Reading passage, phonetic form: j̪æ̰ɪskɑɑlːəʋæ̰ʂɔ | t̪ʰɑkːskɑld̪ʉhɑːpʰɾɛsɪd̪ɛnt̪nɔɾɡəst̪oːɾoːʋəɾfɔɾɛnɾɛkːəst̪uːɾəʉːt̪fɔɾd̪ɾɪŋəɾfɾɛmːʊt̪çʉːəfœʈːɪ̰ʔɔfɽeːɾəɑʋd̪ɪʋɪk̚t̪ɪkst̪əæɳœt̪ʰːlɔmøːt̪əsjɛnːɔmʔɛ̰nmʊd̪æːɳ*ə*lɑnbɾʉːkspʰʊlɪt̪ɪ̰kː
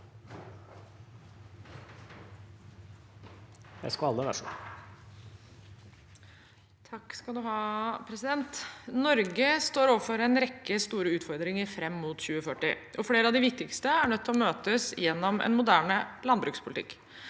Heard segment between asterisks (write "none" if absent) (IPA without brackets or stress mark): ə